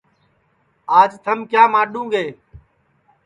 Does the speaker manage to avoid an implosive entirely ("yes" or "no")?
no